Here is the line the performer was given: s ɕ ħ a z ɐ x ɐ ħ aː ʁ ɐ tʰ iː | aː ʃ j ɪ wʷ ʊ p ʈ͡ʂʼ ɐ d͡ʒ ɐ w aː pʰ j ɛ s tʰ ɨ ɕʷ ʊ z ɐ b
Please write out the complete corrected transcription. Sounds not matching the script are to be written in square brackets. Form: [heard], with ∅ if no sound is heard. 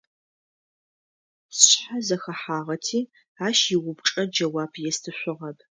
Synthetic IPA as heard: s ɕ ħ a z ɐ x ɐ ħ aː ʁ ɐ tʰ iː | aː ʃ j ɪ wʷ ʊ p ʈ͡ʂʼ ɐ d͡ʒ ɐ w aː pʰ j ɛ s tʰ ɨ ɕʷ ʊ [ʁ] ɐ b